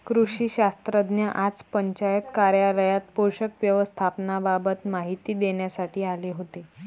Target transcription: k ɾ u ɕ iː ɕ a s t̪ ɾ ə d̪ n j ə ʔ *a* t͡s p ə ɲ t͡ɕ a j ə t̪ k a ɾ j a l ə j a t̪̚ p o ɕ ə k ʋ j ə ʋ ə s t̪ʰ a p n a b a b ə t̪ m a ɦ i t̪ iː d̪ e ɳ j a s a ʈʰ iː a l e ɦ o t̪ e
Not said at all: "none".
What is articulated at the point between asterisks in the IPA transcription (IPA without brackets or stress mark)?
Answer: a